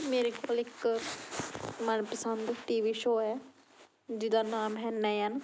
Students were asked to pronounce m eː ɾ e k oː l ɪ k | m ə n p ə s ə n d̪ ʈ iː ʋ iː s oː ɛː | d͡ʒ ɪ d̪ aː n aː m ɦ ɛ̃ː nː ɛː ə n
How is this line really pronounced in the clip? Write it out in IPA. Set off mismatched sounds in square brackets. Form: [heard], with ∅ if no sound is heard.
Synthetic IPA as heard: m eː ɾ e k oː l ɪ k | m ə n p ə s ə n d̪ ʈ iː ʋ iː [ʃ] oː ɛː | d͡ʒ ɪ d̪ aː n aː m ɦ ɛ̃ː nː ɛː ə n